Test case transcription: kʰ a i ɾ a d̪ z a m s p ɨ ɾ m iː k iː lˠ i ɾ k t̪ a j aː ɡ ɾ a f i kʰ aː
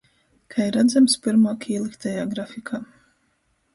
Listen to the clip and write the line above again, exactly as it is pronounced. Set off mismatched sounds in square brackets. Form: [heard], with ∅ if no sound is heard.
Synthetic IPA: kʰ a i ɾ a d̪ z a m s p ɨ ɾ m [aː] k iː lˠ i [∅] k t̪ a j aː ɡ ɾ a f i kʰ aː